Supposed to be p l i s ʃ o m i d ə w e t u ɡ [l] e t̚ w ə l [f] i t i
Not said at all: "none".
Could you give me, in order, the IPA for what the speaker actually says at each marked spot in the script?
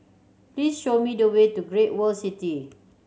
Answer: ɹ, s

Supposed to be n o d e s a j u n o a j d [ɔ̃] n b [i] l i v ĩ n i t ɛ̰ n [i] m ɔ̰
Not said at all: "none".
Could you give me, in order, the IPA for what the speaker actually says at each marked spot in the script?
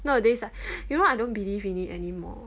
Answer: õ, i, i

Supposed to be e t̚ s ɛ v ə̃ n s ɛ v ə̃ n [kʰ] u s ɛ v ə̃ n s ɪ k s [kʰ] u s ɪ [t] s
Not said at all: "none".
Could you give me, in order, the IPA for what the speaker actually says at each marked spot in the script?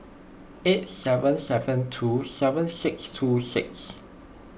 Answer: tʰ, tʰ, k

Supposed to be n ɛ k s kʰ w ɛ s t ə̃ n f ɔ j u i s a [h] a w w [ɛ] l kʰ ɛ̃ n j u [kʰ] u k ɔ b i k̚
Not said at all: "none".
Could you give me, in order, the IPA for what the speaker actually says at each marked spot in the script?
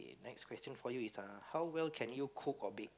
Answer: h, ɛ, kʰ

